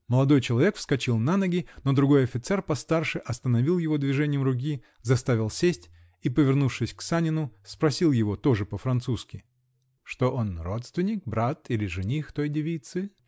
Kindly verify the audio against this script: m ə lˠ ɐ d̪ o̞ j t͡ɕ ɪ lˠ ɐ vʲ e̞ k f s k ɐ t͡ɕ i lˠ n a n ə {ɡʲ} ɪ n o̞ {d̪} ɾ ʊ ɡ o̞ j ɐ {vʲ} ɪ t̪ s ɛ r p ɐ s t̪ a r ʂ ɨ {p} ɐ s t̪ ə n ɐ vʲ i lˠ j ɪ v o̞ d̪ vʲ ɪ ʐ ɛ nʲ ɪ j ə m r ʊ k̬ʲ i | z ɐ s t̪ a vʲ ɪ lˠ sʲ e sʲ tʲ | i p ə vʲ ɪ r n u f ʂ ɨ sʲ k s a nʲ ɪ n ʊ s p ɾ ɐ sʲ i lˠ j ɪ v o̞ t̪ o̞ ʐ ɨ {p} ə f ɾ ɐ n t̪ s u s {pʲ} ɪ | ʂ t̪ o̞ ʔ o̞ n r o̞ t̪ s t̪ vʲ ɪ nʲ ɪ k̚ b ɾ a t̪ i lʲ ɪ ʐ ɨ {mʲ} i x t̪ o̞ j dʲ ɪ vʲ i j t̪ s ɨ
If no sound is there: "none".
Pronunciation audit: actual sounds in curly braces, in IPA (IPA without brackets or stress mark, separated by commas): ɡʲ, d̪, fʲ, ʔ, p, kʲ, nʲ